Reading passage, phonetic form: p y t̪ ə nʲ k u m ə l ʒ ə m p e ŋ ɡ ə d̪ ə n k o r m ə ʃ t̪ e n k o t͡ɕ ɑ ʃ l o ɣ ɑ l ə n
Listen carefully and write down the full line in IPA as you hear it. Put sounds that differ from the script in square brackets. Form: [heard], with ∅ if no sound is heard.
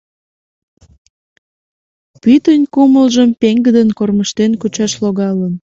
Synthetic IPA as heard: p y t̪ ə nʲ k u m ə l ʒ ə m p e ŋ ɡ ə d̪ ə n k o r m ə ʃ t̪ e n k [u] t͡ɕ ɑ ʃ l o ɣ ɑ l ə n